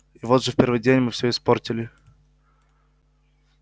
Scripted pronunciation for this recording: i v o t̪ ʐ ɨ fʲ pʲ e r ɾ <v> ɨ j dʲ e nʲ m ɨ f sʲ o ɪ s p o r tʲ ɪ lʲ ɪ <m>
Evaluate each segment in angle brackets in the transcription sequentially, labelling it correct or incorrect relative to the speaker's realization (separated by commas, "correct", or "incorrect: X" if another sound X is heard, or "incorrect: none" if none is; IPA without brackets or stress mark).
correct, incorrect: none